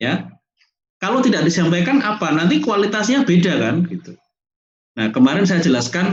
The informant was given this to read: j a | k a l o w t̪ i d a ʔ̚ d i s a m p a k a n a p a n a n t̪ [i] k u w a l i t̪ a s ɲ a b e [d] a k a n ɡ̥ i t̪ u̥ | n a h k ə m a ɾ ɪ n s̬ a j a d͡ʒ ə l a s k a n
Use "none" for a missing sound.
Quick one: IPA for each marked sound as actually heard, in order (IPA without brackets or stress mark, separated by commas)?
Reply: i, d